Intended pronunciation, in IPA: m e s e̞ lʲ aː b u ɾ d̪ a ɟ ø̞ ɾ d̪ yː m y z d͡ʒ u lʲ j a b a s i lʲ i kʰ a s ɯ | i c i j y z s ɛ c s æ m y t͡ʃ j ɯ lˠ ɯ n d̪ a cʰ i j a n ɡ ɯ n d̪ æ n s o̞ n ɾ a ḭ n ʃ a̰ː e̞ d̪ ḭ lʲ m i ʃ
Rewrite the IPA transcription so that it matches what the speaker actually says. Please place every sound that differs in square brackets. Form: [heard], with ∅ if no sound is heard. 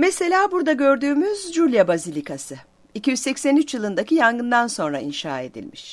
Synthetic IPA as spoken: m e s e̞ lʲ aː b u ɾ d̪ a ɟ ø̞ ɾ d̪ yː m y z d͡ʒ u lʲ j a b a [z] i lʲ i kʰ a s ɯ | i c i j y z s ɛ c s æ [n] y t͡ʃ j ɯ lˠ ɯ n d̪ a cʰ i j a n ɡ ɯ n d̪ [a] n s o̞ n ɾ a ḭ n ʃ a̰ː e̞ d̪ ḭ lʲ m i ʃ